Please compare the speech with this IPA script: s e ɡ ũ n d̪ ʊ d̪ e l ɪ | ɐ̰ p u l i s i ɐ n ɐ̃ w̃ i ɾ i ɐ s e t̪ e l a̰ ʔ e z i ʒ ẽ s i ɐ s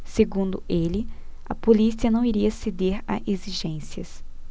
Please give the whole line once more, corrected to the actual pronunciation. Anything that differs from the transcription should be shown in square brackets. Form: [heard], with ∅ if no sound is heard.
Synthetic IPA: s e ɡ ũ n d̪ ʊ [∅] e l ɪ | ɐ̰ p [o] l i s i ɐ n ɐ̃ w̃ i ɾ i ɐ s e [d̪] e [ɾ] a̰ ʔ e z i ʒ ẽ s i ɐ s